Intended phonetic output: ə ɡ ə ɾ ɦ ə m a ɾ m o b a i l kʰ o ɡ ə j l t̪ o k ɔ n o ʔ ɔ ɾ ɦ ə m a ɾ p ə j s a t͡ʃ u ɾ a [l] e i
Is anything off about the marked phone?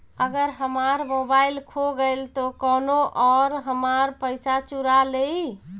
no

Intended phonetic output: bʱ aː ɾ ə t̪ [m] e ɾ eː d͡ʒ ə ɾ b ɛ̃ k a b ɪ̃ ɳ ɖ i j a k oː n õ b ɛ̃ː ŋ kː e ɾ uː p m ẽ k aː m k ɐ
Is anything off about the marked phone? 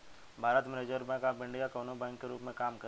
no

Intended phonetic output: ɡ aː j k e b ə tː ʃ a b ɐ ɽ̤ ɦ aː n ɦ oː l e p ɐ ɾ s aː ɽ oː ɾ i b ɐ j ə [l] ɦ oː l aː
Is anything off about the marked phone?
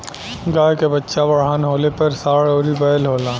no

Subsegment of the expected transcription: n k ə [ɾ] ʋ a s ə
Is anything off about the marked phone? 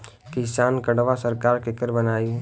yes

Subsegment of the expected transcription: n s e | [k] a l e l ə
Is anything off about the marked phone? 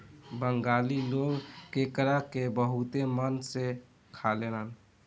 yes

